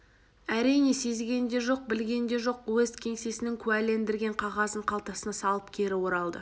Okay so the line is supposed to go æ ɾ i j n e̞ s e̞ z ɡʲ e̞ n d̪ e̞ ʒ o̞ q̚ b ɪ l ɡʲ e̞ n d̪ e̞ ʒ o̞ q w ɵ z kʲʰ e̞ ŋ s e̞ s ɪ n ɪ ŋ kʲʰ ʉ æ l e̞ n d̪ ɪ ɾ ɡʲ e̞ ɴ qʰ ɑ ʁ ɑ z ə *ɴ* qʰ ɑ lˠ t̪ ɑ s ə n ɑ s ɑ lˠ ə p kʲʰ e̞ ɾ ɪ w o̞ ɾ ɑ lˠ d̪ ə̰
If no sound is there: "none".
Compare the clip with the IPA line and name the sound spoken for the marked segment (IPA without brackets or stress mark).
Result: ɴ